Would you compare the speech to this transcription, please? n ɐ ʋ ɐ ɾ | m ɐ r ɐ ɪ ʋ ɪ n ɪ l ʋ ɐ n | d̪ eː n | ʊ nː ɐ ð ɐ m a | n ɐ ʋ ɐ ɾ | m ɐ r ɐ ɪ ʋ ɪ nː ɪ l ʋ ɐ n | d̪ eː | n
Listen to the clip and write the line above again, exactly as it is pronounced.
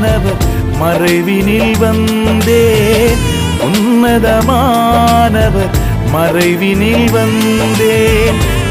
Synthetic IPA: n ɐ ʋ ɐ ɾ | m ɐ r ɐ ɪ ʋ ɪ n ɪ l ʋ ɐ n | d̪ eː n | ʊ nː ɐ ð ɐ m a | n ɐ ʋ ɐ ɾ | m ɐ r ɐ ɪ ʋ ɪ n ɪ l ʋ ɐ n | d̪ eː | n